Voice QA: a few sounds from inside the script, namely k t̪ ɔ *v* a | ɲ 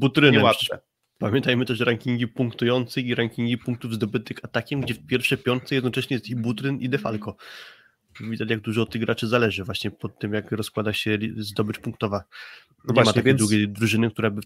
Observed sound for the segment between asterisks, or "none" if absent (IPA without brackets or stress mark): v